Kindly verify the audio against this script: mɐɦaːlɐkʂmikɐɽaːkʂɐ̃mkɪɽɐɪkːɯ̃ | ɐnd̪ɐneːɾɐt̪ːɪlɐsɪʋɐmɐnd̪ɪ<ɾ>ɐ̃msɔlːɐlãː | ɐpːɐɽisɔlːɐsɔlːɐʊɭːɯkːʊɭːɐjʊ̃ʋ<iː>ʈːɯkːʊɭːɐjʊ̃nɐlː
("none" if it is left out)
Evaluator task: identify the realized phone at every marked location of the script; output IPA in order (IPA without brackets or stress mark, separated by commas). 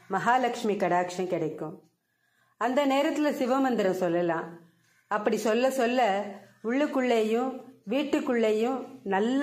ɾ, iː